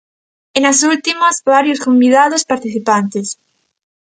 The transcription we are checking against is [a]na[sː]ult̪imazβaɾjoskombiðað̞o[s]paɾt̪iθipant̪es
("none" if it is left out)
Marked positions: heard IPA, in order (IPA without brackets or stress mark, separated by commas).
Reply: e, s, s